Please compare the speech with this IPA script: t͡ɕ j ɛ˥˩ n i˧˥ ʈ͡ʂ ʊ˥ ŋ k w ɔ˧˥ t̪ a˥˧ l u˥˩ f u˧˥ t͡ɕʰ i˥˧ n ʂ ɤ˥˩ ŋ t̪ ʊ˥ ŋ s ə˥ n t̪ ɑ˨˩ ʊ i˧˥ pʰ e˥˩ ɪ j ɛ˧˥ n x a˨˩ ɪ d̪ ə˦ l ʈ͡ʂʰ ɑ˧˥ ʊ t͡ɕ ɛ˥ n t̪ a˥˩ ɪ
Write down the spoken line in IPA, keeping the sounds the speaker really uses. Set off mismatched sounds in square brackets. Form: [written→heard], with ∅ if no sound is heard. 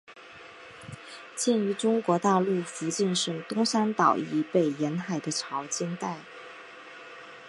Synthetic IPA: t͡ɕ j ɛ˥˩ n [i˧˥→y˧˥] ʈ͡ʂ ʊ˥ ŋ k w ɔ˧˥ t̪ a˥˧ l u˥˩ f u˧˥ [t͡ɕʰ→t͡ɕ] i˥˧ n ʂ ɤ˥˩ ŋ t̪ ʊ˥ ŋ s [ə˥→a˥] n t̪ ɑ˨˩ ʊ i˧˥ [pʰ→p] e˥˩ ɪ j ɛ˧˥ n x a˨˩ ɪ d̪ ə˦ [l→∅] ʈ͡ʂʰ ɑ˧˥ ʊ t͡ɕ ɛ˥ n t̪ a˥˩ ɪ